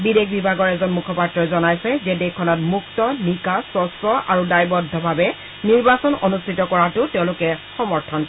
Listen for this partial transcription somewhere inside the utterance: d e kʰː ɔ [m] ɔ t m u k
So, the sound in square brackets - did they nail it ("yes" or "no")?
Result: no